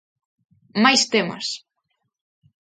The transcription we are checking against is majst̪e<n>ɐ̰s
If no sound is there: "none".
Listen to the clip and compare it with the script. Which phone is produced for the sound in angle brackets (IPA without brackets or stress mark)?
m